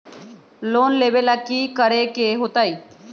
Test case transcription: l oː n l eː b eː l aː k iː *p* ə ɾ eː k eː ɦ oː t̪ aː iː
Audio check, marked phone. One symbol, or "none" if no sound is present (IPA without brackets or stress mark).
k